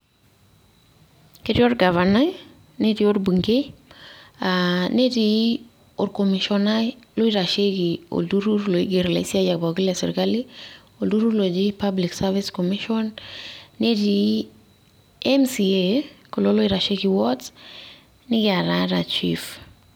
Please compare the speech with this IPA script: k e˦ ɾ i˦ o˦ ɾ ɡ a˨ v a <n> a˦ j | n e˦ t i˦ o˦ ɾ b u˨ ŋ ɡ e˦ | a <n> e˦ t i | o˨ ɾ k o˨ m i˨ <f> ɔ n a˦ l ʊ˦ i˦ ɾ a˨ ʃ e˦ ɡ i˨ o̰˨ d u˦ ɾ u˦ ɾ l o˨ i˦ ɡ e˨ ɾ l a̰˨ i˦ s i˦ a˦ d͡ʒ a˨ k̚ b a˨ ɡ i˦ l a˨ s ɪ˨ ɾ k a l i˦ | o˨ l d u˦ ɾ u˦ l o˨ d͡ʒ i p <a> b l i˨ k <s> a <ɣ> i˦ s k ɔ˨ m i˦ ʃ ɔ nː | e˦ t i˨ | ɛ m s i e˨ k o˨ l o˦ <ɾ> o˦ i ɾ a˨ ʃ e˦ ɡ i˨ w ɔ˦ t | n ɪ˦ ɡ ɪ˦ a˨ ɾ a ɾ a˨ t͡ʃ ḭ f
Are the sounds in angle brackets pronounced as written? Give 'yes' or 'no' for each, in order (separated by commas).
yes, yes, no, yes, yes, no, no